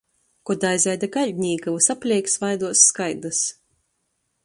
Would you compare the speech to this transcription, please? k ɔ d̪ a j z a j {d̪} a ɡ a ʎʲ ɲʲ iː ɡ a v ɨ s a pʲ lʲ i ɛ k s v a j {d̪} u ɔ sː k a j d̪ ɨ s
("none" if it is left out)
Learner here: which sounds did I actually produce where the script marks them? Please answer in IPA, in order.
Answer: d̪, d̪

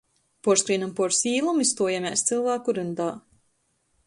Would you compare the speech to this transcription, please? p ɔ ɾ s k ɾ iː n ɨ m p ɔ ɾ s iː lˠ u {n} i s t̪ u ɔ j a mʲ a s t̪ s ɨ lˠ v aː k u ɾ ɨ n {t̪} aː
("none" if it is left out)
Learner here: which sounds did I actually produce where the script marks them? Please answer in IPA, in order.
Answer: m, d̪

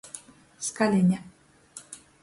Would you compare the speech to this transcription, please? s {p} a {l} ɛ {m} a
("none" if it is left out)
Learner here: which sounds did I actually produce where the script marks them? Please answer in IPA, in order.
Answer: k, l, ɲ

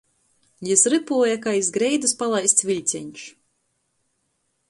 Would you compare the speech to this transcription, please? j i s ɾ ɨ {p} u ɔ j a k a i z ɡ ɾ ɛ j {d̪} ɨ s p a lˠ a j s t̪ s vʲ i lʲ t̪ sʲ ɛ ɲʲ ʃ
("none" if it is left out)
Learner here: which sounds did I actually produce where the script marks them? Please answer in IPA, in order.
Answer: p, d̪

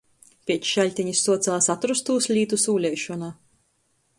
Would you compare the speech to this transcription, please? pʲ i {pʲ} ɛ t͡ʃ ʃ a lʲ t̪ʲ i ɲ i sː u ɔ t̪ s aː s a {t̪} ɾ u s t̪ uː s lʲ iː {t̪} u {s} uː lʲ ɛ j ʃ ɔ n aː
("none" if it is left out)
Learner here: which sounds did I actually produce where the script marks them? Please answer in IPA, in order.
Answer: none, t̪, t̪, s

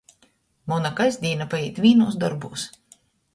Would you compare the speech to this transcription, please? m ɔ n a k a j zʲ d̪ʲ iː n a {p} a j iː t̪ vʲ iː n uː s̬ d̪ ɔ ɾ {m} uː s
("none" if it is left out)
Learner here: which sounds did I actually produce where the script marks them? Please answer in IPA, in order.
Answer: p, b

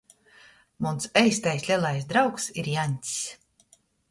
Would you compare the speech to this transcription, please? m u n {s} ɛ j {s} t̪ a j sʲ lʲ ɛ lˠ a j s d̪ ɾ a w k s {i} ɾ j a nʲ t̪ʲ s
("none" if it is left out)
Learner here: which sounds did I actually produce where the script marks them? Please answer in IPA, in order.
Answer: s, s, i

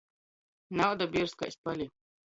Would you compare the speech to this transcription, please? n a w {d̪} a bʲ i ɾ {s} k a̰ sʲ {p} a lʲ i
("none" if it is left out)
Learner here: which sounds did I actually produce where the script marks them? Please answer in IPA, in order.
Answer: d̪, s, p

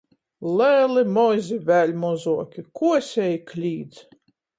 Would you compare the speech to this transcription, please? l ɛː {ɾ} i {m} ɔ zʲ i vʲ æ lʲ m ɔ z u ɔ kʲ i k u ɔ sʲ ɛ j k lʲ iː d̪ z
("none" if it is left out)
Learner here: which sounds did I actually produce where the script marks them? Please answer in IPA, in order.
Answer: l, m

